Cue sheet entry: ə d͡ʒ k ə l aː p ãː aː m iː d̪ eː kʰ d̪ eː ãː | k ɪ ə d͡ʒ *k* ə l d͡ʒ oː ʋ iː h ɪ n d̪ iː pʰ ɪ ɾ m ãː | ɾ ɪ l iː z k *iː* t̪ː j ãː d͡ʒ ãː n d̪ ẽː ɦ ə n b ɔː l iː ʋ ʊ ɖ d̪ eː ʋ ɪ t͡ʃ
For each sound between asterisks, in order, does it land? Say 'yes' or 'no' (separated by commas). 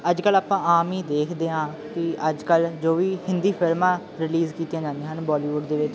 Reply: yes, yes